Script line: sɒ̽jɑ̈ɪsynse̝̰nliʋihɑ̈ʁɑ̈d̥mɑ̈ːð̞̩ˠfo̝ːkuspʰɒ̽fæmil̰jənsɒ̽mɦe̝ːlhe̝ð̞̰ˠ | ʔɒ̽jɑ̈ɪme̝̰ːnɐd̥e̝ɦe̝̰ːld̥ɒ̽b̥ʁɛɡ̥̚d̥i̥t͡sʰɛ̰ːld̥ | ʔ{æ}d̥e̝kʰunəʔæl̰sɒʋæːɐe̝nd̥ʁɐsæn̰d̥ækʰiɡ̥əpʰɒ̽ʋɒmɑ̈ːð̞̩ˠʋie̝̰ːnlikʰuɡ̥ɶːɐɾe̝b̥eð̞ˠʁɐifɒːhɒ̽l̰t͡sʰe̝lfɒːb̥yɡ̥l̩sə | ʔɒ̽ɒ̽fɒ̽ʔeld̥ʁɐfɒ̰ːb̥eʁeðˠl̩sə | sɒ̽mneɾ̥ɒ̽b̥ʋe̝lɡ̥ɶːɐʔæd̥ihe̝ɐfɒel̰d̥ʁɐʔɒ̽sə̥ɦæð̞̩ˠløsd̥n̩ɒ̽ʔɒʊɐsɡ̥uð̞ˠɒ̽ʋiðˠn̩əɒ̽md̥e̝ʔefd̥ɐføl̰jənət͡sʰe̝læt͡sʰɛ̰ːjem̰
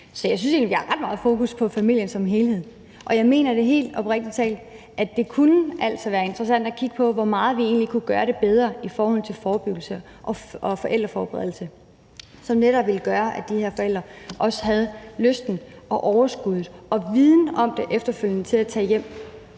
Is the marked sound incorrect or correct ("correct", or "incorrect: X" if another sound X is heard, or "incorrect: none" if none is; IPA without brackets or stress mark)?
correct